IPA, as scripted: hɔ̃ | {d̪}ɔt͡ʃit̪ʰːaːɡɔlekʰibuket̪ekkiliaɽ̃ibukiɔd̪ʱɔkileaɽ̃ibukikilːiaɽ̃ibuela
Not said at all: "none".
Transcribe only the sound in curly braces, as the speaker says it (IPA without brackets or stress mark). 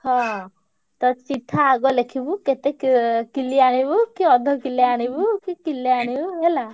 t̪